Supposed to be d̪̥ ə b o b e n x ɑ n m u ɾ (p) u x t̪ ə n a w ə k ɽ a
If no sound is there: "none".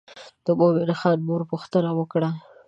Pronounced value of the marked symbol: p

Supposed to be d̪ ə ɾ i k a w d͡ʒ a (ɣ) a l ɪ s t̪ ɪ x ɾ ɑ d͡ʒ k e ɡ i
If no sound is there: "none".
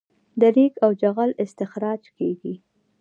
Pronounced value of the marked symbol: ɣ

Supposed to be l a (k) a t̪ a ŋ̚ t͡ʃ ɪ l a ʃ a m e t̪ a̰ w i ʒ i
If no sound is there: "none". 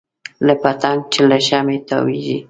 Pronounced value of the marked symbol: p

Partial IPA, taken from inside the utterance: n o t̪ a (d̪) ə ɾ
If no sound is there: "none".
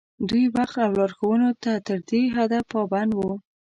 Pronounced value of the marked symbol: t̪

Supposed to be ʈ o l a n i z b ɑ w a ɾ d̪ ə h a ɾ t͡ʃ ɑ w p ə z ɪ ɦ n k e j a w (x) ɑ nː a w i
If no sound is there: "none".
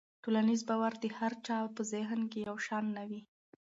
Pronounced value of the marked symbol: ʃ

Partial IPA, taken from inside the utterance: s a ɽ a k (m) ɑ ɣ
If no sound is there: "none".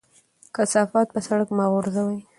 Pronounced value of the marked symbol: m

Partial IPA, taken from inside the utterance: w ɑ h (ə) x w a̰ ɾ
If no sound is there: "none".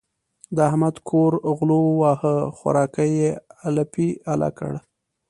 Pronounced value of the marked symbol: ə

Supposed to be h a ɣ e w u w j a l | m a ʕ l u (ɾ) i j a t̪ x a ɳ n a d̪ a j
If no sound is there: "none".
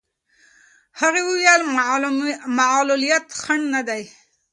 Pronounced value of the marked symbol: l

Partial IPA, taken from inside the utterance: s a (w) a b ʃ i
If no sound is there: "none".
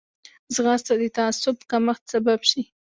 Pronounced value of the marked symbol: b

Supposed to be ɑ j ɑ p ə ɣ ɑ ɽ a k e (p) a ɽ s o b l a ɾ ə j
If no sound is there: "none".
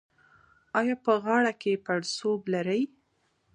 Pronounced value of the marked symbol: p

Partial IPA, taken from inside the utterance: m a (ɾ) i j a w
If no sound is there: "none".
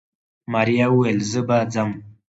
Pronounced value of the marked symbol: ɾ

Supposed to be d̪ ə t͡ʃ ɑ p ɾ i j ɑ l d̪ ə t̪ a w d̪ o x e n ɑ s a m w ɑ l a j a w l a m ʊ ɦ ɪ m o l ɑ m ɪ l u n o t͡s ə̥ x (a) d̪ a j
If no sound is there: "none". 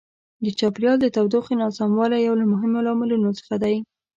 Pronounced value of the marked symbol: a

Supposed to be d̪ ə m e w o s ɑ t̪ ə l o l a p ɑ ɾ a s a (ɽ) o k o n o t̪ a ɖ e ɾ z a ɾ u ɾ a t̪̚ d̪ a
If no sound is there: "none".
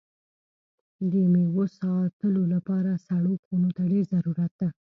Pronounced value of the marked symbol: ɽ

